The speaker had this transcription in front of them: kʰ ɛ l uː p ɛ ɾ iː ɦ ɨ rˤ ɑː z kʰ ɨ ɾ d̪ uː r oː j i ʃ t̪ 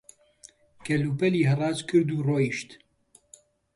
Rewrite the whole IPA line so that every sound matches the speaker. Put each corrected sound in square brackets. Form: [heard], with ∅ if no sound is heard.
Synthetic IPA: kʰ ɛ l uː p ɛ [l] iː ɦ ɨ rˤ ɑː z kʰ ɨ ɾ d̪ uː r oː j i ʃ t̪